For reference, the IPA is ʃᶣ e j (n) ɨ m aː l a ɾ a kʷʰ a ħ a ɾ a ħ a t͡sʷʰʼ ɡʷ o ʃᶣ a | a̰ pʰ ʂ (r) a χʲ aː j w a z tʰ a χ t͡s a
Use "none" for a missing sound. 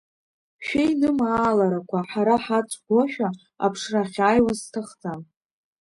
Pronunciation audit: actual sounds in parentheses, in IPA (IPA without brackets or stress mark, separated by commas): n, r